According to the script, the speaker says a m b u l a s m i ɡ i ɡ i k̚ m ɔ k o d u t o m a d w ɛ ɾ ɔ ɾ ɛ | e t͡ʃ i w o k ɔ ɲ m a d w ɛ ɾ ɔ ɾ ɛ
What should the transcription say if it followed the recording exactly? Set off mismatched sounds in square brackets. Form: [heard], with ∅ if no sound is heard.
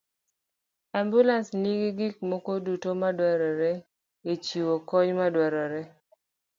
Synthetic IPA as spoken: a m b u l a s [n] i ɡ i ɡ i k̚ m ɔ k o d u t o m a d w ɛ ɾ ɔ ɾ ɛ | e t͡ʃ i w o k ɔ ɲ m a d w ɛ ɾ ɔ ɾ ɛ